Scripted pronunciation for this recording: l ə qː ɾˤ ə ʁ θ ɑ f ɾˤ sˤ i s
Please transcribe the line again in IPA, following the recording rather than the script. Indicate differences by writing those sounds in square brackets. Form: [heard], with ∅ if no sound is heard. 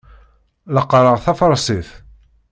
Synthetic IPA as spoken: l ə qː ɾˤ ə ʁ θ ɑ f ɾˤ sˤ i [θ]